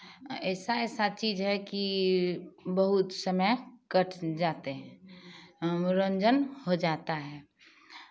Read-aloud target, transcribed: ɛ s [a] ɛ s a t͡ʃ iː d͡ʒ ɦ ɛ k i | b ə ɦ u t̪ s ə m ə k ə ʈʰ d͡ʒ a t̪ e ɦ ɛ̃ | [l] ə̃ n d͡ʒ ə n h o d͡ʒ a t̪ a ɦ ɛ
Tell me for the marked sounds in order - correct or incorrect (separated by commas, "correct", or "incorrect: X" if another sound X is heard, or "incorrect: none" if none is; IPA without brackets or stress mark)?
correct, incorrect: ɾ